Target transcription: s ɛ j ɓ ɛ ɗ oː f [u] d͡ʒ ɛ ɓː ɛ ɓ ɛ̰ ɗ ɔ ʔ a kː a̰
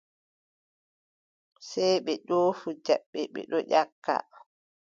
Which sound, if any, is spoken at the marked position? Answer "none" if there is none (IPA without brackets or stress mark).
u